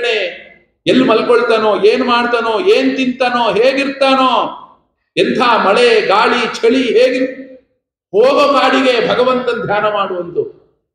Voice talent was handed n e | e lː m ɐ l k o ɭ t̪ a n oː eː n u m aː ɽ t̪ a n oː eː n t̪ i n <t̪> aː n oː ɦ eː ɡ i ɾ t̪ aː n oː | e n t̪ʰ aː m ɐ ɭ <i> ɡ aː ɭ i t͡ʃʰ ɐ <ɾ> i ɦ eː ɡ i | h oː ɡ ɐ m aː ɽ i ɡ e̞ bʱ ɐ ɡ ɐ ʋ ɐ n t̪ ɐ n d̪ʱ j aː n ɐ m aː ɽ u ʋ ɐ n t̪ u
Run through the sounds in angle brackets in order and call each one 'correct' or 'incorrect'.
correct, incorrect: e, incorrect: ɭ

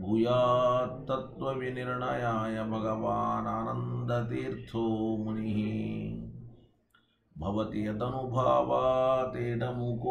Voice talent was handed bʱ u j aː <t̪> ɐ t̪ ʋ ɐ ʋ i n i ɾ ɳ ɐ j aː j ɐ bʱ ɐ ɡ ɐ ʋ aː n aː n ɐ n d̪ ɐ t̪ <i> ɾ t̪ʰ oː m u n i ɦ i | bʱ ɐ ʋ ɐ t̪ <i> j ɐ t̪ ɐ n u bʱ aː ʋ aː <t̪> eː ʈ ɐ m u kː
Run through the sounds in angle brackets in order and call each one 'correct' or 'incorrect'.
correct, incorrect: iː, correct, correct

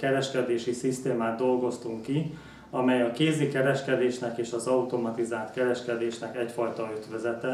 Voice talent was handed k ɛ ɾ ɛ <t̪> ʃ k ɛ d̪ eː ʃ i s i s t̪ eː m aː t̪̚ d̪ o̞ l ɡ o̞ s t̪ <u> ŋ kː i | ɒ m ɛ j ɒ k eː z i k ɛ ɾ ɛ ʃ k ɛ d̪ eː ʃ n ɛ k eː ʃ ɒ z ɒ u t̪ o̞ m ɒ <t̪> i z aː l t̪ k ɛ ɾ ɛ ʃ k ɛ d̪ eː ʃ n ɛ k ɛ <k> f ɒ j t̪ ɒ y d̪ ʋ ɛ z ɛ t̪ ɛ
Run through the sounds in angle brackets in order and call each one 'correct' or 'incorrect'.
incorrect: none, correct, correct, incorrect: c

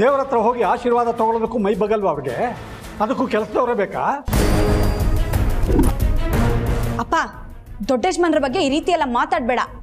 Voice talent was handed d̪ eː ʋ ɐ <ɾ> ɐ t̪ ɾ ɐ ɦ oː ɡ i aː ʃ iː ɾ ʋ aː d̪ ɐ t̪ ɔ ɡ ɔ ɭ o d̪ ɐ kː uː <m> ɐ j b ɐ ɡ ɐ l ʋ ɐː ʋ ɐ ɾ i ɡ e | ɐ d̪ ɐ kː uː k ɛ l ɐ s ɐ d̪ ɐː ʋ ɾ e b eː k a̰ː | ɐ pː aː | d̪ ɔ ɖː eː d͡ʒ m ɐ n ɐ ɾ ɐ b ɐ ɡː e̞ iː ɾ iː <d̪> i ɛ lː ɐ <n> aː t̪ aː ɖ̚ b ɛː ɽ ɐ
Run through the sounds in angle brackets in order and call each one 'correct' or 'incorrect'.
correct, correct, incorrect: t̪, incorrect: m

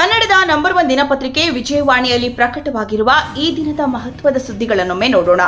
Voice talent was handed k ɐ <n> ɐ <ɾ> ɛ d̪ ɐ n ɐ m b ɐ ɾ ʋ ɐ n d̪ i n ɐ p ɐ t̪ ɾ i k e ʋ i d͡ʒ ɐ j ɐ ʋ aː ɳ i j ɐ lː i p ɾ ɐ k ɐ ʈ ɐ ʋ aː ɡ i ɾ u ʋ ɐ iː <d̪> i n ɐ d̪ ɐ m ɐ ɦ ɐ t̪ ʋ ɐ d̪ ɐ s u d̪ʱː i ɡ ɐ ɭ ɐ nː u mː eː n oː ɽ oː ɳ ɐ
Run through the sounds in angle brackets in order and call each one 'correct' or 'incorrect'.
incorrect: nː, incorrect: ɽ, correct

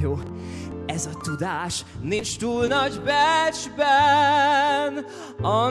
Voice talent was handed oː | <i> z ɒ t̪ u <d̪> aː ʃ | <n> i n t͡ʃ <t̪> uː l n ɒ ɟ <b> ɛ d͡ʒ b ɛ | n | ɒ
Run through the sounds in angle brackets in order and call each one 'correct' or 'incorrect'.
incorrect: ɛ, correct, correct, correct, correct

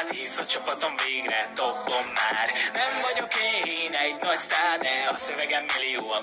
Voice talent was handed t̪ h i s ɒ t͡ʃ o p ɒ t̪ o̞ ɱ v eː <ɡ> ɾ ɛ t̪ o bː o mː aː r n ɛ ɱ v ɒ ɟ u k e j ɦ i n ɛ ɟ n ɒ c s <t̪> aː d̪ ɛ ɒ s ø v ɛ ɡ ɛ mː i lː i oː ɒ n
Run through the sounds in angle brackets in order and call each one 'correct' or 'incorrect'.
correct, correct

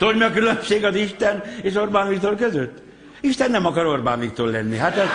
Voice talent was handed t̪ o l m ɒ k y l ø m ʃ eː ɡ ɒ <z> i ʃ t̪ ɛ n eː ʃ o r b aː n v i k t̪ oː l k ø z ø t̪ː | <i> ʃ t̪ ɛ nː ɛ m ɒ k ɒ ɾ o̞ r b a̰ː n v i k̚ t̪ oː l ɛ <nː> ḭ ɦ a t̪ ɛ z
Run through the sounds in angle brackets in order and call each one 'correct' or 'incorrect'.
correct, correct, correct

